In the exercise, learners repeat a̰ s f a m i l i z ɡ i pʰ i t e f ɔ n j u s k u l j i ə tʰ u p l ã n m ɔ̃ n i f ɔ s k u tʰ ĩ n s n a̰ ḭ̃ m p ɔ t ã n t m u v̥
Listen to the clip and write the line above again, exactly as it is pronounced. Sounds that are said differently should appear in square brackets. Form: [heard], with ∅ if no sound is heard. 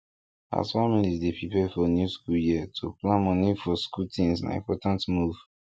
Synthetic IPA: a̰ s f a m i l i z [d] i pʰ i [p] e f ɔ n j u s k u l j i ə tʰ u p l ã n m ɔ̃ n i f ɔ s k u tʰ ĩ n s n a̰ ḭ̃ m p ɔ t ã n t m u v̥

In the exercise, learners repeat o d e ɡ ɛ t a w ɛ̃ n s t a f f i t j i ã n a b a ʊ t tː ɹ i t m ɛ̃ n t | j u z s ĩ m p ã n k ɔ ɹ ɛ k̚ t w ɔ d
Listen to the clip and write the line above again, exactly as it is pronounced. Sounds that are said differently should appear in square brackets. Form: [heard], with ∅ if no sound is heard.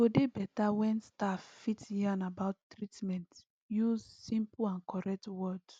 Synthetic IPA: o d e [b] ɛ t a w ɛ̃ n s t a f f i t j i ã n a b a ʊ t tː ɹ i t m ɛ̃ n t | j u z s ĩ m p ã n k ɔ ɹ ɛ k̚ t w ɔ d

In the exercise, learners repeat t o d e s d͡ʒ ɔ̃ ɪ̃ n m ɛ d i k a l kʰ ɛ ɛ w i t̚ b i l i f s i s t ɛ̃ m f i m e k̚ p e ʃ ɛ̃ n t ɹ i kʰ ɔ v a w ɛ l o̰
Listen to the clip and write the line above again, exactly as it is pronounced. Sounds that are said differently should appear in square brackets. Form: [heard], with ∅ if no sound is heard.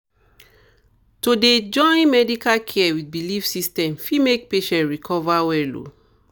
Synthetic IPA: t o d e [∅] d͡ʒ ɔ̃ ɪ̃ n m ɛ d i k a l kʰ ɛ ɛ w i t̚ b i l i f s i s t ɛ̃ m f i m e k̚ p e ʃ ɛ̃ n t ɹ i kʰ ɔ v a w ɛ l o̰

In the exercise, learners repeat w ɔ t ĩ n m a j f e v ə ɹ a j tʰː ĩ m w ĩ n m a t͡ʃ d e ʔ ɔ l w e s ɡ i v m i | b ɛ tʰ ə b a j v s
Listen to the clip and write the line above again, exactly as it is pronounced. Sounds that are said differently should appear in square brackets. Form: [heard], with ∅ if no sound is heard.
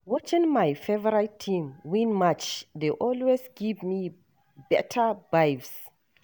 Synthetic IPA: w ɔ [t͡ʃ] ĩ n m a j f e v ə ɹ a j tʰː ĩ m w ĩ n m a t͡ʃ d e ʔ ɔ l w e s ɡ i v m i | b ɛ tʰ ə b a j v s

